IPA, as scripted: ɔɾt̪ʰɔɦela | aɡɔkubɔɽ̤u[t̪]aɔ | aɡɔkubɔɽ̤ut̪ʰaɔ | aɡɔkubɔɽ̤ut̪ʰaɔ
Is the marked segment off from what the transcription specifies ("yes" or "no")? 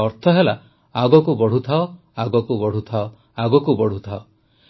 yes